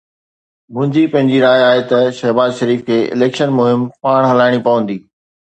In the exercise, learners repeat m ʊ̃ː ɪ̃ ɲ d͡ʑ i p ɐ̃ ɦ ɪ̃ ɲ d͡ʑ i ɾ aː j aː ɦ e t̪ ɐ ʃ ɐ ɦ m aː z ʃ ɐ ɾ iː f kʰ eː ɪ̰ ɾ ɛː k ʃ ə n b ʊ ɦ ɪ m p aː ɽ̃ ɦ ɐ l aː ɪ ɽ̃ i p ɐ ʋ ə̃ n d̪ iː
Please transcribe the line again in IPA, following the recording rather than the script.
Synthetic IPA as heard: m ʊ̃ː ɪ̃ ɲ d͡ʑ i p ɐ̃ ɦ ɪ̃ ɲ d͡ʑ i ɾ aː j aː ɦ e t̪ ɐ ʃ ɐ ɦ b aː z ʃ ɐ ɾ iː f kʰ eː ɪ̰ l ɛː k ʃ ə n m ʊ ɦ ɪ m p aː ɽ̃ ɦ ɐ l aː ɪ ɽ̃ i p ɐ ʋ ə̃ n d̪ iː

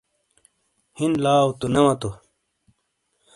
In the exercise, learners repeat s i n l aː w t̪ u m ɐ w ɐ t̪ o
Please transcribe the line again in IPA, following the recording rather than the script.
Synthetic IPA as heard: h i n l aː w t̪ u n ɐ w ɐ t̪ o

